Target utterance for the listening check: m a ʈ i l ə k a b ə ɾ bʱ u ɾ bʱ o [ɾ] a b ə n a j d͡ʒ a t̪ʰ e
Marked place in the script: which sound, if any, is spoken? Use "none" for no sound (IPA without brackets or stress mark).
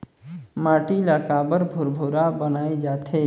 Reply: ɾ